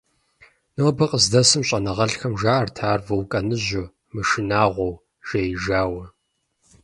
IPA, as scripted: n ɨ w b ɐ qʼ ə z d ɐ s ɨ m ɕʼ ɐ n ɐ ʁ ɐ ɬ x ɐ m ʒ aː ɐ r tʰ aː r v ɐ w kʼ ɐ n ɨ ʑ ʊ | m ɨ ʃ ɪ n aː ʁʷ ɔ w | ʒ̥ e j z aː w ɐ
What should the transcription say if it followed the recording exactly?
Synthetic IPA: n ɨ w b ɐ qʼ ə z d ɐ s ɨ m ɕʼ ɐ n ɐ ʁ ɐ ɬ x ɐ m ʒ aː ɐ r tʰ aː r v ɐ w kʼ ɐ n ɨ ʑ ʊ | m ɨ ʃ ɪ n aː ʁʷ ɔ w | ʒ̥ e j ʒ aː w ɐ

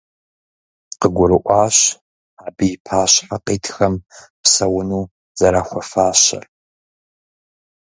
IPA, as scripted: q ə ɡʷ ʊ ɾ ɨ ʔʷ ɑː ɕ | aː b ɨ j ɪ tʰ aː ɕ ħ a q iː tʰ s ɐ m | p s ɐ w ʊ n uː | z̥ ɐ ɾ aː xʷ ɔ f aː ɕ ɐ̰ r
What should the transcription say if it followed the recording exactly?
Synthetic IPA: q ə ɡʷ ʊ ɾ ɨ ʔʷ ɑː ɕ | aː b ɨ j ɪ pʰ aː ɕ ħ a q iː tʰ x ɐ m | p s ɐ w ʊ n uː | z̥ ɐ ɾ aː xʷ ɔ f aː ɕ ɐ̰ r

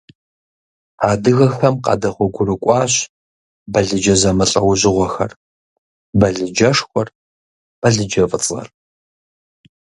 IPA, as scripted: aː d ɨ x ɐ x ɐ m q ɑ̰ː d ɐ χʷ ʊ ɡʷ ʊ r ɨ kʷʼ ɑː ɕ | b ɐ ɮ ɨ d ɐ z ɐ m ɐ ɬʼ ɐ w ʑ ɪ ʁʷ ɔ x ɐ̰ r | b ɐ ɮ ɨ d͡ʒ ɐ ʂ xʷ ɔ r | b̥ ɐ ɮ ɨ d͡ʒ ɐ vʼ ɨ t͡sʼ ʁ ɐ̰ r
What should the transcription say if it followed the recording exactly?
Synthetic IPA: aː d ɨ ɣ ɐ x ɐ m q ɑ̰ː d ɐ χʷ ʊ ɡʷ ʊ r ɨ kʷʼ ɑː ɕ | b ɐ ɮ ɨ d͡ʒ ɐ z ɐ m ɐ ɬʼ ɐ w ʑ ɪ ʁʷ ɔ x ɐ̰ r | b ɐ ɮ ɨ d͡ʒ ɐ ʂ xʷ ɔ r | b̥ ɐ ɮ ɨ d͡ʒ ɐ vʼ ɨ t͡sʼ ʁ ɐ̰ r

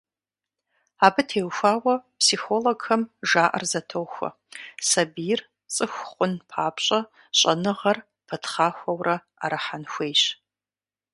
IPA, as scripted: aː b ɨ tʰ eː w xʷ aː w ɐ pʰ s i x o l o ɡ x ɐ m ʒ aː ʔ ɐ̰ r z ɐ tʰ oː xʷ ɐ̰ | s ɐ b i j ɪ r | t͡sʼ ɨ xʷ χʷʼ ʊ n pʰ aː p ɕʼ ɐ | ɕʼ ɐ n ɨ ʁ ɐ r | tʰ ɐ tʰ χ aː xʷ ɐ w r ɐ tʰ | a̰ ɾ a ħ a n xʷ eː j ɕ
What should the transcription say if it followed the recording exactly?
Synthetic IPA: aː b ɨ tʰ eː w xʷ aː w ɐ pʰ s i x o l o ɡ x ɐ m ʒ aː ʔ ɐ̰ r z ɐ tʰ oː xʷ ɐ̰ | s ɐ b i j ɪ r | t͡sʼ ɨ xʷ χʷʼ ʊ n pʰ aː p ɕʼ ɐ | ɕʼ ɐ n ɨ ʁ ɐ r | pʰ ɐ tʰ χ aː xʷ ɐ w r ɐ | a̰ ɾ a ħ a n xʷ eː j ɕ

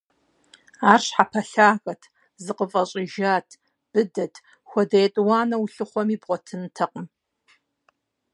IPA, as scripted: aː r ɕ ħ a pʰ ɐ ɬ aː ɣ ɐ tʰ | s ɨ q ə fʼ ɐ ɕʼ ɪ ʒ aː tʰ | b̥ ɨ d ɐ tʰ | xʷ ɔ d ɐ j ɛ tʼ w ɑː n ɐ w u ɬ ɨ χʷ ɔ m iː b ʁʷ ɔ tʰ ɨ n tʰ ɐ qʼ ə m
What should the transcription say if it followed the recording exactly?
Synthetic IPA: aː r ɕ ħ a pʰ ɐ ɬ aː ɣ ɐ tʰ | z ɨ q ə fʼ ɐ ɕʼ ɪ ʒ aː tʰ | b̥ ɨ d ɐ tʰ | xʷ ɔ d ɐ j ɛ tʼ w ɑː n ɐ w u ɬ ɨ χʷ ɔ m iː b ʁʷ ɔ tʰ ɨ n tʰ ɐ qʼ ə m

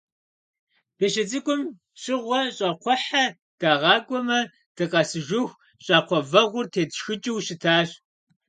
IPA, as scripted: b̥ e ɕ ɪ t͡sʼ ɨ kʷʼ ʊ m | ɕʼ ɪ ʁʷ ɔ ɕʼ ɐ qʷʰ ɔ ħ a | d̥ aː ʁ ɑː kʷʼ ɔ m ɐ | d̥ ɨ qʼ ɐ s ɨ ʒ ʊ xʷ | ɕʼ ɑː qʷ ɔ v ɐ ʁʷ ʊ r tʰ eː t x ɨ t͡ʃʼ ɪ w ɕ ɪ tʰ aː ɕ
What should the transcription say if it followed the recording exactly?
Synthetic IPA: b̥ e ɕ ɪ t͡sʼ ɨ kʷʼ ʊ m | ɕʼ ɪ ʁʷ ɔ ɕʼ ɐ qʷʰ ɔ ħ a | d̥ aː ʁ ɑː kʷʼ ɔ m ɐ | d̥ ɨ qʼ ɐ s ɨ ʒ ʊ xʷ | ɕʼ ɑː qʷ ɔ v ɐ ʁʷ ʊ r tʰ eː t x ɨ t͡ʃʼ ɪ w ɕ ɪ tʰ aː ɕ

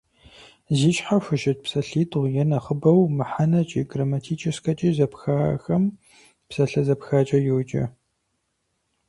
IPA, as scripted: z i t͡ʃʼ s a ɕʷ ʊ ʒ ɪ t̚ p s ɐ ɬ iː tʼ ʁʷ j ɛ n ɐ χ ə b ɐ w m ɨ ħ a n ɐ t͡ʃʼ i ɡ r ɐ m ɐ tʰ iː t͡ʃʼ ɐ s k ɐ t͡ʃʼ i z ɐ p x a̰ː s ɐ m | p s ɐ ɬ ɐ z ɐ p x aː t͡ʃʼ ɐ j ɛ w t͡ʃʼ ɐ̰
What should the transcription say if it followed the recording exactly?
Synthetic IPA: z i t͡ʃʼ ħ a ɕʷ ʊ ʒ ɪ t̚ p s ɐ ɬ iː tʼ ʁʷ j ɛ n ɐ χ ə b ɐ w m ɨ ħ a n ɐ t͡ʃʼ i ɡ r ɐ m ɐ tʰ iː t͡ʃʼ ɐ s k ɐ t͡ʃʼ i z ɐ p x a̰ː x ɐ m | p s ɐ ɬ ɐ z ɐ p x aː t͡ʃʼ ɐ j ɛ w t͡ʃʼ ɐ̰

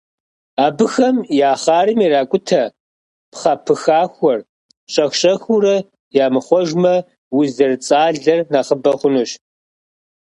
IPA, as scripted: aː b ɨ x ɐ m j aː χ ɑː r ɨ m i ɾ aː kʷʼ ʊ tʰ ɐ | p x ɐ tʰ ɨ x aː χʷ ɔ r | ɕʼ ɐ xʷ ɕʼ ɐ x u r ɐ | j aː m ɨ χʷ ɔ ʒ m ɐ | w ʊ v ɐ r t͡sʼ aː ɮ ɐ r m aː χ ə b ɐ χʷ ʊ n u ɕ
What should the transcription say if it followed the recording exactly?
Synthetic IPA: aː b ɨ x ɐ m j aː χ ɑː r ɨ m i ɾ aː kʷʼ ʊ tʰ ɐ | p χ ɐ pʰ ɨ x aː xʷ ɔ r | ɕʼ ɐ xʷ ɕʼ ɐ x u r ɐ | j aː m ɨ χʷ ɔ ʒ m ɐ | w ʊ z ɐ r t͡sʼ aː ɮ ɐ r n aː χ ə b ɐ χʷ ʊ n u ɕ

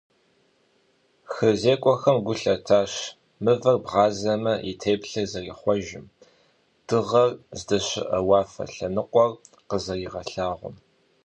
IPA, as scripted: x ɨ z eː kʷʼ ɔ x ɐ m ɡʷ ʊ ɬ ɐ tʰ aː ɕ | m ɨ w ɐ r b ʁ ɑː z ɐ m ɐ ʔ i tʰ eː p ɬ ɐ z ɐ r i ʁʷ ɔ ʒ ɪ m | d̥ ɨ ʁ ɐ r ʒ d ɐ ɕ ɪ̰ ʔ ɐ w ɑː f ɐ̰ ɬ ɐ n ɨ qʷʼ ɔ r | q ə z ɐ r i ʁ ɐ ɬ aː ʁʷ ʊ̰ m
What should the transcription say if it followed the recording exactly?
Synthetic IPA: x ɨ z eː kʷʼ ɔ x ɐ m ɡʷ ʊ ɬ ɐ tʰ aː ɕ | m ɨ v ɐ r b ʁ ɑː z ɐ m ɐ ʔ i tʰ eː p ɬ ɐ z ɐ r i χʷ ɔ ʒ ɪ m | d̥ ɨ ʁ ɐ r z d ɐ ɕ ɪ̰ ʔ ɐ w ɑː f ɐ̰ ɬ ɐ n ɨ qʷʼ ɔ r | q ə z ɐ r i ʁ ɐ ɬ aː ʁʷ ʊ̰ m

